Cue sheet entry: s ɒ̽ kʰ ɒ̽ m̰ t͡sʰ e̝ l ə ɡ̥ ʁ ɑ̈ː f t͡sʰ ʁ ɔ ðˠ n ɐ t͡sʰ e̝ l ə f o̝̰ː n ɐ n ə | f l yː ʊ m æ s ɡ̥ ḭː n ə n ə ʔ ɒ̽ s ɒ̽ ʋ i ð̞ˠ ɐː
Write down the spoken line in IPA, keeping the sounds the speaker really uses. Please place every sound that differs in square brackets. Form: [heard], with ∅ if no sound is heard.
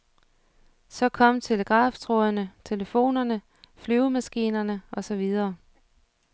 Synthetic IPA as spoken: s ɒ̽ kʰ ɒ̽ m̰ t͡sʰ e̝ l ə ɡ̥ ʁ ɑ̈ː f t͡sʰ ʁ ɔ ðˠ n [ə] t͡sʰ e̝ l ə f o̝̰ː n ɐ n ə | f l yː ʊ m æ s ɡ̥ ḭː n [ɐ] n ə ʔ ɒ̽ s ɒ̽ ʋ i ð̞ˠ ɐː